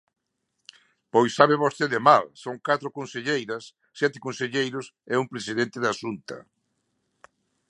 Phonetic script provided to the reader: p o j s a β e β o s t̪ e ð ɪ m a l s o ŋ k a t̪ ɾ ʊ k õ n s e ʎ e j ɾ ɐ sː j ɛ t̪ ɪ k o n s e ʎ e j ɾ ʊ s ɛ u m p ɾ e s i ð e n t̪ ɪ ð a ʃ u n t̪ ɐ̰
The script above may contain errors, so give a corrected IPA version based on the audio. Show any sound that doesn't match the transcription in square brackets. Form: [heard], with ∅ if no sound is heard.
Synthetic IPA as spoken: p o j s a β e β o s t̪ e ð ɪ m a l s o ŋ k a t̪ ɾ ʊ k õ n s e ʎ e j ɾ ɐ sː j ɛ t̪ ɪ k o n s e ʎ e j ɾ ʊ s ɛ u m p ɾ e s i ð e n t̪ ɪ ð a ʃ u n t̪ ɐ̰